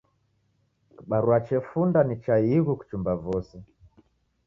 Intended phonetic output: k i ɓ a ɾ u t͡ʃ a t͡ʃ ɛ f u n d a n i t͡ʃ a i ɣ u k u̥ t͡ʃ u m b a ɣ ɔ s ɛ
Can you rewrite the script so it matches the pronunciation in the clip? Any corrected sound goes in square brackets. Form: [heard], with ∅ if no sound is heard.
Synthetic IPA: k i ɓ a ɾ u [∅] a t͡ʃ ɛ f u n d a n i t͡ʃ a i ɣ u k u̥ t͡ʃ u m b a [v] ɔ s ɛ

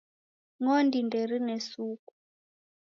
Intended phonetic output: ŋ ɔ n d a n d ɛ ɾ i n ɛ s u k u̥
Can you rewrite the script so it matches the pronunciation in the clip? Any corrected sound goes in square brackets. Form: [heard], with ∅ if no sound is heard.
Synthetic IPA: ŋ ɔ n d [i] n d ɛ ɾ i n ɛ s u k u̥

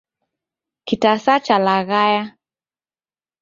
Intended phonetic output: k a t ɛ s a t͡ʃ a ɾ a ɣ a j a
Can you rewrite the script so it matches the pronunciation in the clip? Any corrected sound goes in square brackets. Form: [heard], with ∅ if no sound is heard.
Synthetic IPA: k [i] t [a] s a t͡ʃ a [l] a ɣ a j a

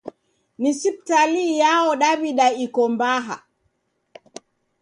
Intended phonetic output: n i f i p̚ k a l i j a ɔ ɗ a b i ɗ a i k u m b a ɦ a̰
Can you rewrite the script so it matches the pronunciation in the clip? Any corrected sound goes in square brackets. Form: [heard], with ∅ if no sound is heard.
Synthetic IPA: n i [s] i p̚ [t] a l i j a ɔ ɗ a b i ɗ a i k [ɔ] m b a ɦ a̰

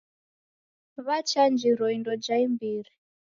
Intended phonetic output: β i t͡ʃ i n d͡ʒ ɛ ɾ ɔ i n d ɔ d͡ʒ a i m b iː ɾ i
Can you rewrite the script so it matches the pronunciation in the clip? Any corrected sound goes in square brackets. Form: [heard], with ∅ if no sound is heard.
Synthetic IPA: β [a] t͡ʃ [a] n d͡ʒ [i] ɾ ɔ i n d ɔ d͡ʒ a i m b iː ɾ i

